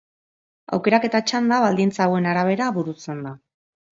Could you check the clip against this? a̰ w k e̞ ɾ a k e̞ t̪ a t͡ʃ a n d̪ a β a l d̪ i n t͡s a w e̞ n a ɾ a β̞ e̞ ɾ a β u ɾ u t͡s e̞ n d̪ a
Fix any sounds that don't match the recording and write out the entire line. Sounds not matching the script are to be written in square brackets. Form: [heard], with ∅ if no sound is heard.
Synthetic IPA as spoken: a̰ w k e̞ ɾ a k e̞ t̪ a t͡ʃ a n d̪ a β a l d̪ i n t͡s a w e̞ n a ɾ a β̞ e̞ ɾ a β u ɾ u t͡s e̞ n d̪ a